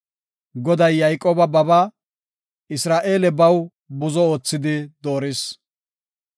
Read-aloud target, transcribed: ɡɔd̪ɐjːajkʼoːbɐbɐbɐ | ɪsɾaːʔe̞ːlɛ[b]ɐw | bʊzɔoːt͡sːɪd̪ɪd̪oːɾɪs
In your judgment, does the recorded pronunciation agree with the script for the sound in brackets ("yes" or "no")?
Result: yes